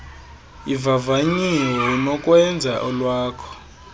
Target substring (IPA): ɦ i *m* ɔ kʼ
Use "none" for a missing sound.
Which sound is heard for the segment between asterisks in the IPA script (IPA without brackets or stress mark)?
n